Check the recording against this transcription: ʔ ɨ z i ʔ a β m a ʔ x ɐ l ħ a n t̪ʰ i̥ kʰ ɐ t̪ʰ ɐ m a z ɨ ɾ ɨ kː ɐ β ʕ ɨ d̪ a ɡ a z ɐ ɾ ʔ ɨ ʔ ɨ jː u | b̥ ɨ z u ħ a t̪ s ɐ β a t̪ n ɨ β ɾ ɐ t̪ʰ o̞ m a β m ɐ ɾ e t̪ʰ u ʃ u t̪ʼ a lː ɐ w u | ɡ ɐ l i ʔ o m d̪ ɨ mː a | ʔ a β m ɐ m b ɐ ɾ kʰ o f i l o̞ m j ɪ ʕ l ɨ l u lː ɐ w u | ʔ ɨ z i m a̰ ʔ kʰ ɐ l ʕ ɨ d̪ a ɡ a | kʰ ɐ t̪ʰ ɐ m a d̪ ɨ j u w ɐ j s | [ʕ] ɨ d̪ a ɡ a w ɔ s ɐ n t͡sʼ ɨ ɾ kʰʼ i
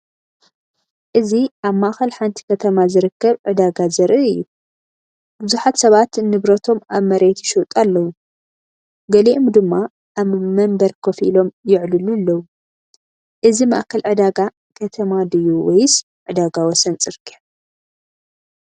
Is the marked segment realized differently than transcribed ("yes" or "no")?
no